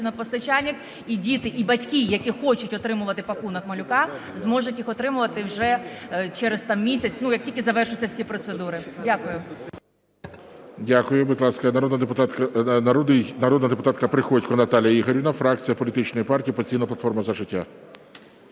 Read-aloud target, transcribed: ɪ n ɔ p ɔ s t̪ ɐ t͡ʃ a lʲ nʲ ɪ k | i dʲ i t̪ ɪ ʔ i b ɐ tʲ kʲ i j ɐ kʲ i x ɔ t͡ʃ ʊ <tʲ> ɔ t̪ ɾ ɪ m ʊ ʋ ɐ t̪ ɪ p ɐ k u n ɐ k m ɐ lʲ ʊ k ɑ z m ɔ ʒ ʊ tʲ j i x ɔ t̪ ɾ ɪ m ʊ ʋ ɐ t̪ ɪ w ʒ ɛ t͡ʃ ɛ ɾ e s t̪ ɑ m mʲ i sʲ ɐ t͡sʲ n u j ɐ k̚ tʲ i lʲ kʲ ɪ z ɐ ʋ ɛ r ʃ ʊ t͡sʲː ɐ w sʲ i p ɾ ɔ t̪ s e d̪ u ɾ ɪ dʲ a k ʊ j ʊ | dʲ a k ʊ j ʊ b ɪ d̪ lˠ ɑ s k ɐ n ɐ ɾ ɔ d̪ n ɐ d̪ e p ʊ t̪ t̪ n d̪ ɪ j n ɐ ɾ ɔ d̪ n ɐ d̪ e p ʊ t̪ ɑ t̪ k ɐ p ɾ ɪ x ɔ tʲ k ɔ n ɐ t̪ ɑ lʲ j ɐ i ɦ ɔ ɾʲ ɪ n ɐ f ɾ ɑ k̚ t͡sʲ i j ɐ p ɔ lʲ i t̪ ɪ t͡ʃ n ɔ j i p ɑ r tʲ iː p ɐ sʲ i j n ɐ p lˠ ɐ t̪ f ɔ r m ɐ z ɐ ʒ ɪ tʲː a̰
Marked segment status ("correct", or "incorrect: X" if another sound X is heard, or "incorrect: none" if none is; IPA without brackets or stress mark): correct